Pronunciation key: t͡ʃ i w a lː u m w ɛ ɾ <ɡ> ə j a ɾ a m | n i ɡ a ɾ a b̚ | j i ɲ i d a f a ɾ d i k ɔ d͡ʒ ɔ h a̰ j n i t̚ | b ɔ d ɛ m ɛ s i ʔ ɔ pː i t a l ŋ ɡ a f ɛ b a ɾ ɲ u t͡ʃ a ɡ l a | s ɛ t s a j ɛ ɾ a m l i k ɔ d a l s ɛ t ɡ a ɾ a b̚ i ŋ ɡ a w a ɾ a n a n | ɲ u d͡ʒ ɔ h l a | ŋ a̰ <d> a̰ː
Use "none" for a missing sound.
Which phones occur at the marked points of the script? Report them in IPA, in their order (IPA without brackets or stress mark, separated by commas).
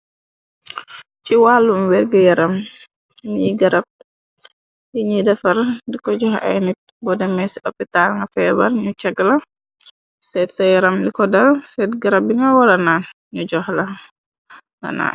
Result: ɡ, n